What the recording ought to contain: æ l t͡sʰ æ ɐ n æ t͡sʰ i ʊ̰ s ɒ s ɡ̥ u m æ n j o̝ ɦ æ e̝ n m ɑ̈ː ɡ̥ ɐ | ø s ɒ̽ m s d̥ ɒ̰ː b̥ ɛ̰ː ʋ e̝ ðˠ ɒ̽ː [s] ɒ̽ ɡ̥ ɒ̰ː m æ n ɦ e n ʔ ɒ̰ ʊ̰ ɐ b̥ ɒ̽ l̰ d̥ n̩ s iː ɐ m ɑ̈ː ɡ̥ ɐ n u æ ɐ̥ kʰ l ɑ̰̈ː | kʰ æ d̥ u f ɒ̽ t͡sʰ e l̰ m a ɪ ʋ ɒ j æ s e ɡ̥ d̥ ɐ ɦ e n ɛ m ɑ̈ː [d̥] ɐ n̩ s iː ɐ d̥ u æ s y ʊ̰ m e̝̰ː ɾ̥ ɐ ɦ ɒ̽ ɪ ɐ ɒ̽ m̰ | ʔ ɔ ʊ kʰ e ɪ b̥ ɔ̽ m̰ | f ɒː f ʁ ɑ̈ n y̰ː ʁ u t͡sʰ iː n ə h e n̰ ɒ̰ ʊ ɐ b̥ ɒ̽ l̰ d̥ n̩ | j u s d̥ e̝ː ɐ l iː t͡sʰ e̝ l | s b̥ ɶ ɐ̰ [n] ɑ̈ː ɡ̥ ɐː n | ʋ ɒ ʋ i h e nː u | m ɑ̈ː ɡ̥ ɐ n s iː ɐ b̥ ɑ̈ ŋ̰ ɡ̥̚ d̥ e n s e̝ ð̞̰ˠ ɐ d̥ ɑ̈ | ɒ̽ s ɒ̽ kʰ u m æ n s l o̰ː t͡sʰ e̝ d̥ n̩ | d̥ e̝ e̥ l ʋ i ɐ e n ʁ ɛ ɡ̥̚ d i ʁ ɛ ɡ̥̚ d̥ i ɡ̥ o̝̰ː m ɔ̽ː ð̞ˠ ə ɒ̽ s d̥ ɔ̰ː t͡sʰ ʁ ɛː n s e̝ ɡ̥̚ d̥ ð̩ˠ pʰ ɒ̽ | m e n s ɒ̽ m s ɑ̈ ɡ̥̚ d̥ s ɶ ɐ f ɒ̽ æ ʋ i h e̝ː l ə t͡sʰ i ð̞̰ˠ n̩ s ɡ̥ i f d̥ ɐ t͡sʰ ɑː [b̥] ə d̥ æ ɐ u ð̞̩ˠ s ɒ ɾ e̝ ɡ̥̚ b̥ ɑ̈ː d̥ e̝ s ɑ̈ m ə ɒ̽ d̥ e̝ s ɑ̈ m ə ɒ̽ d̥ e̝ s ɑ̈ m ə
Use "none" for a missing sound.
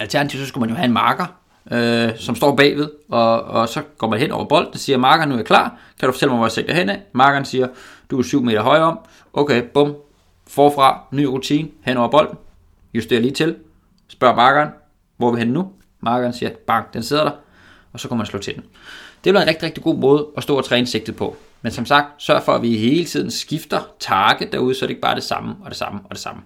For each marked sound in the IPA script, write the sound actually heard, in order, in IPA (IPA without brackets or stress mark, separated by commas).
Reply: s, ɡ̥, m, ɡ̥